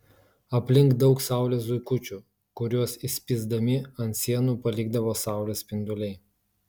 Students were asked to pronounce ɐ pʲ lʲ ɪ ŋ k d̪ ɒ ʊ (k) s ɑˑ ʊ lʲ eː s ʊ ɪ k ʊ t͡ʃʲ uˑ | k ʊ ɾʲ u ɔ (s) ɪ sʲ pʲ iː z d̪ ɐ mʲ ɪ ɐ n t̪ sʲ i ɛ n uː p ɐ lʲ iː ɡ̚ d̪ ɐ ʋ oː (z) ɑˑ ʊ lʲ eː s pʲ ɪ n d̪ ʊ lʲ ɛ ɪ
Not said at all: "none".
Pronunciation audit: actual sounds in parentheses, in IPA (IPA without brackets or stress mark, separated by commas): k, s, s